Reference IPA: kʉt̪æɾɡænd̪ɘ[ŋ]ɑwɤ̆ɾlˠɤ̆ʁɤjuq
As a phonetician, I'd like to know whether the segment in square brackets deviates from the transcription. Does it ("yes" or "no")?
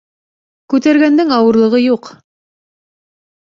no